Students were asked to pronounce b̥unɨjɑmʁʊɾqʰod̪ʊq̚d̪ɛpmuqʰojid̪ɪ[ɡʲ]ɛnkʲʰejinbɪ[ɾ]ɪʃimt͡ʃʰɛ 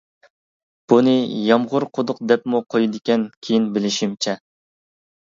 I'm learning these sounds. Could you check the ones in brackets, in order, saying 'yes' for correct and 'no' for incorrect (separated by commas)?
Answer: no, no